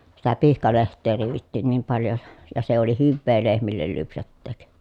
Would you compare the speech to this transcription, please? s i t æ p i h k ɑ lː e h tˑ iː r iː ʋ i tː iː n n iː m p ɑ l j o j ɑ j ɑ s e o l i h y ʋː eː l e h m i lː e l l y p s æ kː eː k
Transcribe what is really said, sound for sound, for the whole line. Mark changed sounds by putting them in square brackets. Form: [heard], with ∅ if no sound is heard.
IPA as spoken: s i t æ p i h k ɑ [l] e h tˑ [eː] r iː ʋ i tː iː n n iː m p ɑ l j o j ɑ j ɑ s e o l i h y ʋː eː l e h m i lː e l l y p s æ [tː] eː k